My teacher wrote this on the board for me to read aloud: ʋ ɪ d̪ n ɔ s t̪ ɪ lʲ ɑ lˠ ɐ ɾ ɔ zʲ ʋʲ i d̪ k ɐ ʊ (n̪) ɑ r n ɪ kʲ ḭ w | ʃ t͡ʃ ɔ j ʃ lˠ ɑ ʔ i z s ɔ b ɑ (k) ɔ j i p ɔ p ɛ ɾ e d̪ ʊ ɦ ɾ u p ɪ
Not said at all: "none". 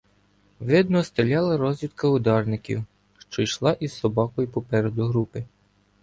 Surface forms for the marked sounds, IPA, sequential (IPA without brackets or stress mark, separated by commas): d̪, k